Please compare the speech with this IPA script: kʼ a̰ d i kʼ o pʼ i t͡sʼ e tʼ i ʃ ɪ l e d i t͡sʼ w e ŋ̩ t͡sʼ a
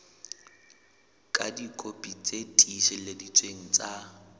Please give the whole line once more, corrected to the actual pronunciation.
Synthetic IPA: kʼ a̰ d i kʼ o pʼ i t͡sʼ e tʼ i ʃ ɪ l e d i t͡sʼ w e ŋ̩ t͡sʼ a